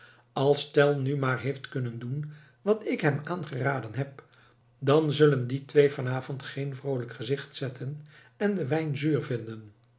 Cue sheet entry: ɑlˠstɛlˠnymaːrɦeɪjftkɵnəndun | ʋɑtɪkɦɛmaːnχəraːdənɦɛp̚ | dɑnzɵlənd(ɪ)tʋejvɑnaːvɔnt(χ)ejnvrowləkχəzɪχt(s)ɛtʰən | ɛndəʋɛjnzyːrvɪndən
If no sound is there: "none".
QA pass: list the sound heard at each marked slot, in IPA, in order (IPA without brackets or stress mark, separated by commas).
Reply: i, χ, s